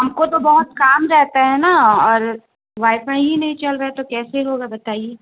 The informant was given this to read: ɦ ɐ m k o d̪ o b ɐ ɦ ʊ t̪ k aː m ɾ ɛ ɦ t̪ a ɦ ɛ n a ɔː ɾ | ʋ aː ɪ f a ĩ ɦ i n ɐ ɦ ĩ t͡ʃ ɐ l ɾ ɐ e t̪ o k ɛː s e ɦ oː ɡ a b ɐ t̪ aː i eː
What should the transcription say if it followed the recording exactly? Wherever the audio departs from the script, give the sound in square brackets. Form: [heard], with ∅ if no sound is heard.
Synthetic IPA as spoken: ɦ ɐ m k o [t̪] o b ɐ ɦ ʊ t̪ k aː m ɾ ɛ ɦ t̪ a ɦ ɛ n a ɔː ɾ | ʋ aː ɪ f a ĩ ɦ i n ɐ ɦ ĩ t͡ʃ ɐ l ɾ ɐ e t̪ o k ɛː s e ɦ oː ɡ a b ɐ t̪ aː i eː